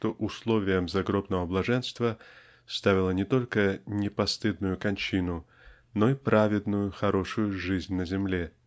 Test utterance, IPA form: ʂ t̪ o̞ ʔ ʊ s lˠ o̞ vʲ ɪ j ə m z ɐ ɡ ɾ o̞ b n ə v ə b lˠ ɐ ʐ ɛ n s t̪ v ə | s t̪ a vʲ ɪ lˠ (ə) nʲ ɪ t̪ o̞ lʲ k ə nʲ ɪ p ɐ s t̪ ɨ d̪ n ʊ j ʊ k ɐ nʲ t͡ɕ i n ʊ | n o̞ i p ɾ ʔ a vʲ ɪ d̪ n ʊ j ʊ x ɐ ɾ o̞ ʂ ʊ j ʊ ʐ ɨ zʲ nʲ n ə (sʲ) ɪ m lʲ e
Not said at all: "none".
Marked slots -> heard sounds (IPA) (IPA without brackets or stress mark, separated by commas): ə, zʲ